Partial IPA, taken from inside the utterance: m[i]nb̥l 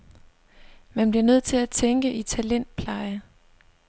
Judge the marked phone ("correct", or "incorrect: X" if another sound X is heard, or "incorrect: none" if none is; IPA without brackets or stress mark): incorrect: æ